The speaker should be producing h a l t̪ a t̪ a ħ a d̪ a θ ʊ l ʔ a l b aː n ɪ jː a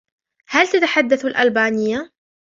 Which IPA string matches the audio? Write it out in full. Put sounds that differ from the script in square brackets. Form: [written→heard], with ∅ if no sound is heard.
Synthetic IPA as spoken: h a l t̪ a t̪ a ħ a [d̪→d̪ː] a θ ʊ l ʔ a l b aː n ɪ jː a